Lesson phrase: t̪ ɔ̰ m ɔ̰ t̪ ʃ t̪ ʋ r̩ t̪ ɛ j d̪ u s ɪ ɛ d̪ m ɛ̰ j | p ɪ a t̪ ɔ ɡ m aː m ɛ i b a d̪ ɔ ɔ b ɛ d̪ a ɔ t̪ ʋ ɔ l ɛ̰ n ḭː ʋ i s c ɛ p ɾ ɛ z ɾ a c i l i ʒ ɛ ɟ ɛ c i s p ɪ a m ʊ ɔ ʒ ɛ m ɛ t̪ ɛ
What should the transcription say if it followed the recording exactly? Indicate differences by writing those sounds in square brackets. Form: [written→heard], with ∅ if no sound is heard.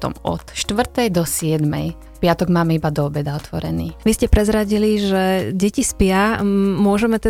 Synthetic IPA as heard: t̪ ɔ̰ m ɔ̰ t̪ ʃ t̪ ʋ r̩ t̪ ɛ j d̪ [u→ɔ] s ɪ ɛ d̪ m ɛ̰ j | p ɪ a t̪ ɔ ɡ m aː m ɛ i b a d̪ ɔ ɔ b ɛ d̪ a ɔ t̪ ʋ ɔ [l→ɾ] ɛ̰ n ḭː ʋ i s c ɛ p ɾ ɛ z ɾ a [c→ɟ] i l i ʒ ɛ ɟ ɛ c i s p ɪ a m ʊ ɔ ʒ ɛ m ɛ t̪ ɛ